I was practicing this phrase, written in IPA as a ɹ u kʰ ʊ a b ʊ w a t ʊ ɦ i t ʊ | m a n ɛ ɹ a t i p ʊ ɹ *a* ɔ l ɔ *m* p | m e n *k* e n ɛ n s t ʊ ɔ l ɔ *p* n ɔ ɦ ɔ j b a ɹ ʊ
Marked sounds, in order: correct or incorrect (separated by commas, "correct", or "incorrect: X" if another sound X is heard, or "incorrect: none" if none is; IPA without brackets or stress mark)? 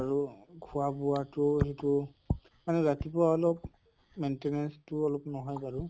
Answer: correct, incorrect: none, incorrect: t, correct